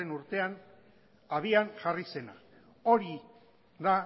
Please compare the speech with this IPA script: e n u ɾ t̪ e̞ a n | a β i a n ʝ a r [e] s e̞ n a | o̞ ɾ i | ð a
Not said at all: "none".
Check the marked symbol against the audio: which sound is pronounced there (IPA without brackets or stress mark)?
i